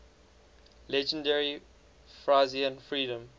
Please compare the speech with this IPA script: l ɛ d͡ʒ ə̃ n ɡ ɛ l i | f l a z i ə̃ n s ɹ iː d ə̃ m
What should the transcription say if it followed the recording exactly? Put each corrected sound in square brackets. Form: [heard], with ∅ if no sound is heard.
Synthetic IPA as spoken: l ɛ d͡ʒ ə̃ n [d] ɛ [ɹ] i | f [ɹ] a z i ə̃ n [f] ɹ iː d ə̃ m